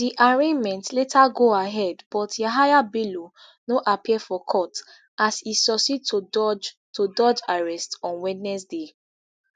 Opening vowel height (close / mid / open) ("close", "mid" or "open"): close